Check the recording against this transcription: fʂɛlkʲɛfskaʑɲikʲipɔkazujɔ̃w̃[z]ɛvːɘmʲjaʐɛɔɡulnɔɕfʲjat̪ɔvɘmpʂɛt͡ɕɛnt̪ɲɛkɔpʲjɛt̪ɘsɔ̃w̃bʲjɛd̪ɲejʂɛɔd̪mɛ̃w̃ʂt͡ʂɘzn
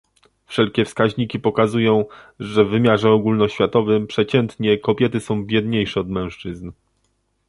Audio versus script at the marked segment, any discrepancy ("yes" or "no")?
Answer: yes